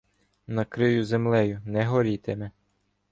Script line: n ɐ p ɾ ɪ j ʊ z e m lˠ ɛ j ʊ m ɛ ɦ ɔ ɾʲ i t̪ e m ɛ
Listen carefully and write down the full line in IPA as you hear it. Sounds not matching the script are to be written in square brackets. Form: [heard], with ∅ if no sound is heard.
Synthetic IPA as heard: n ɐ [k] ɾ ɪ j ʊ z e m lˠ ɛ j ʊ [n] ɛ ɦ ɔ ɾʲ i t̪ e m ɛ

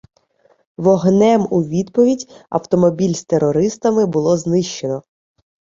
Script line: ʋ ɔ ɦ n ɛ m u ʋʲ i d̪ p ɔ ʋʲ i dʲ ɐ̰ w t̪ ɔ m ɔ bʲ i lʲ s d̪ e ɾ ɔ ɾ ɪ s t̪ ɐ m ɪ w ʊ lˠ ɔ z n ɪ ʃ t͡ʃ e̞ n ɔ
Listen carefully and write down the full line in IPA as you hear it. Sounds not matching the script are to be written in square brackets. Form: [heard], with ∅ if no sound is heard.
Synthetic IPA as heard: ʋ ɔ ɦ n ɛ m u ʋʲ i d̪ p ɔ ʋʲ i dʲ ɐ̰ w t̪ ɔ m ɔ bʲ i lʲ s [t̪] e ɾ ɔ ɾ ɪ s t̪ ɐ m ɪ [b] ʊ lˠ ɔ z n ɪ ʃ t͡ʃ e̞ n ɔ

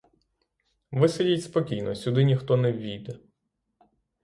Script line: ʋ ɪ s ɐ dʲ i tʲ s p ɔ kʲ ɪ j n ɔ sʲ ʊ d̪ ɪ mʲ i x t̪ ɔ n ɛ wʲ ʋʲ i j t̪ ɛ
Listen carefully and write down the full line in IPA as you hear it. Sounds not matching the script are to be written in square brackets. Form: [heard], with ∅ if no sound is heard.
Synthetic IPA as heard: ʋ ɪ s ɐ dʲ i tʲ s p ɔ kʲ [i] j n ɔ sʲ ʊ d̪ ɪ [nʲ] i x t̪ ɔ n ɛ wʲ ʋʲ i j [d̪] ɛ

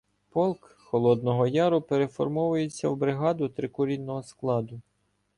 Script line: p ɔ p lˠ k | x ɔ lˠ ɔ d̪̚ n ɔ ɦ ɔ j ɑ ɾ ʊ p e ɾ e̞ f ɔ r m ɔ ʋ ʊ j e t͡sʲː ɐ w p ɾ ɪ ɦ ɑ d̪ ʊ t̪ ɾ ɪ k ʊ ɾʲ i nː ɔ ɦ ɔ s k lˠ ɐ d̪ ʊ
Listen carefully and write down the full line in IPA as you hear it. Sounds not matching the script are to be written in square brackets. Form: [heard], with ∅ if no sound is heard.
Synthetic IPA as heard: p ɔ [∅] lˠ k | x ɔ lˠ ɔ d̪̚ n ɔ ɦ ɔ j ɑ ɾ ʊ p e ɾ e̞ f ɔ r m ɔ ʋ ʊ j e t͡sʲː ɐ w [b] ɾ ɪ ɦ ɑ d̪ ʊ t̪ ɾ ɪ k ʊ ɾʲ i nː ɔ ɦ ɔ s k lˠ [ɑ] d̪ ʊ

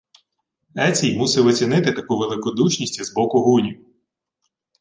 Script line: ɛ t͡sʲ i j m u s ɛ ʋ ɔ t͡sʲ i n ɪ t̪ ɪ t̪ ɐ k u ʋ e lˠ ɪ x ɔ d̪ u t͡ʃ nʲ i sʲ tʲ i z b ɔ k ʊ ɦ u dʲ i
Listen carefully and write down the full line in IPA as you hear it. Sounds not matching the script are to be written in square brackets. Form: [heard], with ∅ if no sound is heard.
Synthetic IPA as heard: ɛ t͡sʲ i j m u s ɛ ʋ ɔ t͡sʲ i n ɪ t̪ ɪ t̪ ɐ k u ʋ e lˠ ɪ [k] ɔ d̪ u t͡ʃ nʲ i sʲ tʲ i z b ɔ k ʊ ɦ u [nʲ] i

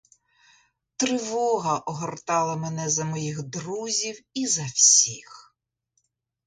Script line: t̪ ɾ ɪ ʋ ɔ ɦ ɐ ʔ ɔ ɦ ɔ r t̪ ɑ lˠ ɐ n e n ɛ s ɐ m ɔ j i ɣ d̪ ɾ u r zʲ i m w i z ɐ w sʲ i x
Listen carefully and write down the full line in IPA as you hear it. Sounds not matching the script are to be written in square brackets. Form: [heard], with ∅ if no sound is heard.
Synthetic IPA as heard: t̪ ɾ ɪ ʋ ɔ ɦ ɐ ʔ ɔ ɦ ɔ r t̪ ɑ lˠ ɐ [m] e n ɛ [z] ɐ m ɔ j i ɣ d̪ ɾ u [∅] zʲ i [∅] w i z ɐ w sʲ i x

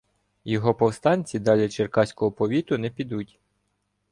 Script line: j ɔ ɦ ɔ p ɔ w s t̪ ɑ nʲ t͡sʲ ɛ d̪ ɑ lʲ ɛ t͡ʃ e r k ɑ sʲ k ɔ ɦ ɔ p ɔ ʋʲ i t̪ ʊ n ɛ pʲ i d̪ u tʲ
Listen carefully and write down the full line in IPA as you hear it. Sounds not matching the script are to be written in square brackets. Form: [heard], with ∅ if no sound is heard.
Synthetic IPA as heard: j ɔ ɦ ɔ p ɔ w s t̪ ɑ nʲ t͡sʲ [i] d̪ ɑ lʲ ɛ t͡ʃ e r k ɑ sʲ k ɔ ɦ ɔ p ɔ ʋʲ i t̪ ʊ n ɛ pʲ i d̪ u tʲ

